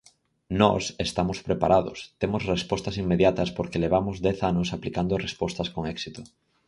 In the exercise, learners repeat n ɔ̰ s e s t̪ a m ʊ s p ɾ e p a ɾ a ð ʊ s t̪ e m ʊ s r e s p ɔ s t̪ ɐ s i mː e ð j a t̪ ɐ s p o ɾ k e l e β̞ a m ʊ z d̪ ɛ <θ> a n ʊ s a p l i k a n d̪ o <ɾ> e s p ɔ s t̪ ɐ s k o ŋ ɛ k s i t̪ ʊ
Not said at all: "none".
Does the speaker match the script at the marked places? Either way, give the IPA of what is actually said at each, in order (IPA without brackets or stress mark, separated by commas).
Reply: θ, r